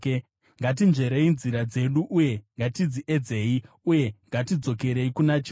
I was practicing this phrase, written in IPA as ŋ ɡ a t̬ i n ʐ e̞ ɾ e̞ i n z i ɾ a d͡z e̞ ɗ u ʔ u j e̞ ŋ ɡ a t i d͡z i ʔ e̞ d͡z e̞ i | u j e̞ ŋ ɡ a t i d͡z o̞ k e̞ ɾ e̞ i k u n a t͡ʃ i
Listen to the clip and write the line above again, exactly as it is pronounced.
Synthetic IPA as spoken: ŋ ɡ a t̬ i n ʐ e̞ ɾ e̞ i n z i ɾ a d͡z e̞ ɗ u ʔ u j e̞ ŋ ɡ a t i d͡z i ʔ e̞ d͡z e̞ i | u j e̞ ŋ ɡ a t i d͡z o̞ k e̞ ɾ e̞ i k u n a t͡ʃ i